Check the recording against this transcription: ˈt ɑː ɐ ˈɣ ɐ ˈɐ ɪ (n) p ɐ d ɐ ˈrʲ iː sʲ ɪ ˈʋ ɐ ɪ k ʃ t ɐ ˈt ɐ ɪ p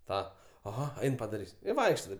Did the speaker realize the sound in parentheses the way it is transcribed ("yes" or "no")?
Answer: yes